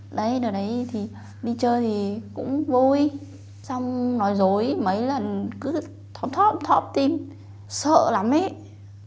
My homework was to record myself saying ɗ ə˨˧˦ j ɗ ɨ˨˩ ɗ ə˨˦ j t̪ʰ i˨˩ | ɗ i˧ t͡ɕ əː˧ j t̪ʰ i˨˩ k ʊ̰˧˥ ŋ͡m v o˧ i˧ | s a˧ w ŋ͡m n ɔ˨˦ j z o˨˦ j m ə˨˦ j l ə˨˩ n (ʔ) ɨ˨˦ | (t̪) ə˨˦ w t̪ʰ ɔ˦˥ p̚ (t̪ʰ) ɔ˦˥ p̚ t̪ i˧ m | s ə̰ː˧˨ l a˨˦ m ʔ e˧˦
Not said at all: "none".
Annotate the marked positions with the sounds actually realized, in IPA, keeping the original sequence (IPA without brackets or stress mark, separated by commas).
k, t̪ʰ, t̪ʰ